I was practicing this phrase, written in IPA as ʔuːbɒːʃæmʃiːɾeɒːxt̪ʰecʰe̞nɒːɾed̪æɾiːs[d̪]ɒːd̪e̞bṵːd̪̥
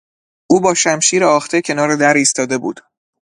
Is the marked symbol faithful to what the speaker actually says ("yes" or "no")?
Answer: no